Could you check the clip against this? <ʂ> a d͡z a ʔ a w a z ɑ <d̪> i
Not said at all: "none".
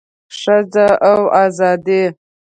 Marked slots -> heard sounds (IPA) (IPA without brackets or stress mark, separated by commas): ʂ, d̪